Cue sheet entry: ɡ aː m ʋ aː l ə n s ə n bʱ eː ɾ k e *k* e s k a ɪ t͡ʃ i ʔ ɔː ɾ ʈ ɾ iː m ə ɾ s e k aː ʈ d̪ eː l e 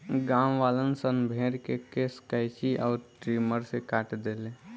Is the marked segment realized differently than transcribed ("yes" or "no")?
no